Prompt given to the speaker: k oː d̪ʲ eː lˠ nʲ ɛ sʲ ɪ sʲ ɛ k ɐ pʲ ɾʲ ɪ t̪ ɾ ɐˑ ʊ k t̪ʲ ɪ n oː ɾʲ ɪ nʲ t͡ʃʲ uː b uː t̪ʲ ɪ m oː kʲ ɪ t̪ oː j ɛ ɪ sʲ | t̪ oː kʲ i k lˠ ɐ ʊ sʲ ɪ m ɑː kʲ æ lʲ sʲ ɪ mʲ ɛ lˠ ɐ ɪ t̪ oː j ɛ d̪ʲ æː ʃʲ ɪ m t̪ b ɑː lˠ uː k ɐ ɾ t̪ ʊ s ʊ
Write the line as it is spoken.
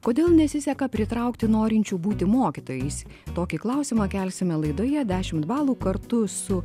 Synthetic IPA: k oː d̪ʲ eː lˠ nʲ ɛ sʲ ɪ sʲ ɛ k ɐ pʲ ɾʲ ɪ t̪ ɾ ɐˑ ʊ k t̪ʲ ɪ n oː ɾʲ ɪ nʲ t͡ʃʲ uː b uː t̪ʲ ɪ m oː kʲ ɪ t̪ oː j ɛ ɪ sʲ | t̪ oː kʲ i k lˠ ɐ ʊ sʲ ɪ m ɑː kʲ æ lʲ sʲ ɪ mʲ ɛ lˠ ɐ ɪ d̪ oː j ɛ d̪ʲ æː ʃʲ ɪ m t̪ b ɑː lˠ uː k ɐ ɾ t̪ ʊ s ʊ